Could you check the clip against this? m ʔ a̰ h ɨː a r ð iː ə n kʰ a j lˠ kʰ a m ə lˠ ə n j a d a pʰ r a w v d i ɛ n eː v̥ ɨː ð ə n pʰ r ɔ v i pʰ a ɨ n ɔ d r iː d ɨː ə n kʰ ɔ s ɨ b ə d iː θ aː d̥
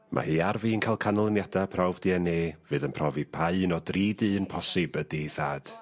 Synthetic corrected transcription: m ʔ a̰ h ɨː a r v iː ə n kʰ a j lˠ kʰ a n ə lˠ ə n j a d a pʰ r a w v d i ɛ n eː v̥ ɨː ð ə n pʰ r ɔ v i pʰ a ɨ n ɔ d r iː d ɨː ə n pʰ ɔ s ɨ b ə d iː θ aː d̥